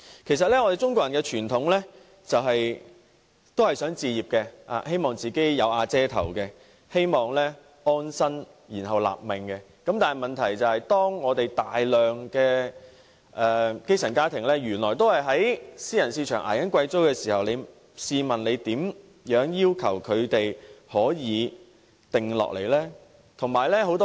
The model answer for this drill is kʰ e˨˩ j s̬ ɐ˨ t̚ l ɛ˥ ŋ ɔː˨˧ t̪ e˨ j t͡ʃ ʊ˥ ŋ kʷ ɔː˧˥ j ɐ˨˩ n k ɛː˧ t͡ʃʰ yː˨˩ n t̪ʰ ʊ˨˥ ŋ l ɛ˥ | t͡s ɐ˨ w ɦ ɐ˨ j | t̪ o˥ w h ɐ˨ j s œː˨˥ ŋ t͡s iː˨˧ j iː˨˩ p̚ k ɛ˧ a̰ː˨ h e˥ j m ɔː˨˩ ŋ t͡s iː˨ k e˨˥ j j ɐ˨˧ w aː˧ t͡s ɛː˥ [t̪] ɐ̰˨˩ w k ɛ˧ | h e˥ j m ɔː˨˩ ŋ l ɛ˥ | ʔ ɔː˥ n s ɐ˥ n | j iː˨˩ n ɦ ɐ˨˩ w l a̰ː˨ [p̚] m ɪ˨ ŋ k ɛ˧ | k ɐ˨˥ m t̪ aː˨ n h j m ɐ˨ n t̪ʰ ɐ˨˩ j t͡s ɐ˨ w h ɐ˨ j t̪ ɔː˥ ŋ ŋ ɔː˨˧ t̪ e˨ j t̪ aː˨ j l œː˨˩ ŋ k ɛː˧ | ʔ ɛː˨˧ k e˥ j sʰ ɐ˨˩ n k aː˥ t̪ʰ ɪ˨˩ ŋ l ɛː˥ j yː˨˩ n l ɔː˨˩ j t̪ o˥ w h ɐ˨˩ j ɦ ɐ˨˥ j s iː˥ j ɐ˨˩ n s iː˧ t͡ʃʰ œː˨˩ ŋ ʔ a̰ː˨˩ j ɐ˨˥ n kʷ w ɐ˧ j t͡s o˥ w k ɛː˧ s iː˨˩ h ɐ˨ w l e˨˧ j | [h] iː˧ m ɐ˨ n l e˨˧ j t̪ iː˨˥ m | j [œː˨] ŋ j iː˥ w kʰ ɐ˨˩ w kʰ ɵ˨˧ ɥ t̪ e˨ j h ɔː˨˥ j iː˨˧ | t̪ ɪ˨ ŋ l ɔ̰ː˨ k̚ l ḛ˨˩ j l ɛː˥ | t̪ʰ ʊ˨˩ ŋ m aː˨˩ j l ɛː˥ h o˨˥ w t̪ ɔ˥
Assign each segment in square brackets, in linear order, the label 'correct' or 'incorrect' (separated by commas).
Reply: incorrect, correct, incorrect, incorrect